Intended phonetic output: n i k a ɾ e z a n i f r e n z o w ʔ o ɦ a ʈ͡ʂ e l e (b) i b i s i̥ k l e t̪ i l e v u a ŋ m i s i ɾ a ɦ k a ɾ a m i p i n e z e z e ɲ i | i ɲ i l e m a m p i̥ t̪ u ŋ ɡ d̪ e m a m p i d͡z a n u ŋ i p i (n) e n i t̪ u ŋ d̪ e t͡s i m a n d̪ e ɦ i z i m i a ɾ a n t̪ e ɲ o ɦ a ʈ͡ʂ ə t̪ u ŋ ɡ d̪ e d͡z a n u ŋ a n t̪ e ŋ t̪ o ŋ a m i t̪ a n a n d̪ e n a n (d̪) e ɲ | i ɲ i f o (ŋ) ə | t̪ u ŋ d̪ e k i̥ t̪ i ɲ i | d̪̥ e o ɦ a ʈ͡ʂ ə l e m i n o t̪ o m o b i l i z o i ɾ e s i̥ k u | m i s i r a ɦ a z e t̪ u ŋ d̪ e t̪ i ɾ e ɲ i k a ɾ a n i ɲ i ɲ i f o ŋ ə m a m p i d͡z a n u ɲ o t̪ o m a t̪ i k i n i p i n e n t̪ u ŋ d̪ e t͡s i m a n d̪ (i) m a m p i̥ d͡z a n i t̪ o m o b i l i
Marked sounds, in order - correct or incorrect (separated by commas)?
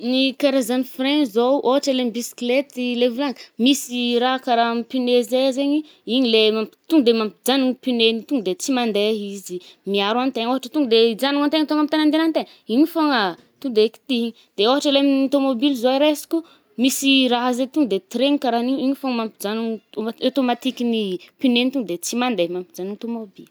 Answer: incorrect, correct, incorrect, correct, incorrect